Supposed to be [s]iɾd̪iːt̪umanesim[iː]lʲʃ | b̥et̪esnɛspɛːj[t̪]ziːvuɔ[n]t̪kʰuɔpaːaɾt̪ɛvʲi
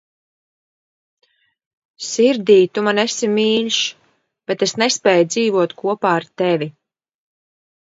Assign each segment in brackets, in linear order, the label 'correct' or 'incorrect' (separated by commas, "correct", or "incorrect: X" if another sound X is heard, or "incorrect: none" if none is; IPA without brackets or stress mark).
correct, correct, incorrect: d̪, incorrect: none